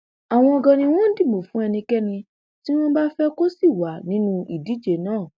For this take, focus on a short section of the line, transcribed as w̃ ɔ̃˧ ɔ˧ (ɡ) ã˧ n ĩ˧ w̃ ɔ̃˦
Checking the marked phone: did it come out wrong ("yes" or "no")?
no